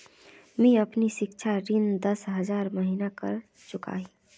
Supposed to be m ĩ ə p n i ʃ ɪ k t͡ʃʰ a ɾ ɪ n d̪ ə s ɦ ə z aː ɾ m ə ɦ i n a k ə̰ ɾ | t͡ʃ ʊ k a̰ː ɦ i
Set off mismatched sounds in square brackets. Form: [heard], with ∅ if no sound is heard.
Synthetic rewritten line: m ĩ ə p n i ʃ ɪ k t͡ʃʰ a ɾ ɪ n d̪ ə s ɦ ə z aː ɾ m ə ɦ i n a k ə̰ ɾ | t͡ʃ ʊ k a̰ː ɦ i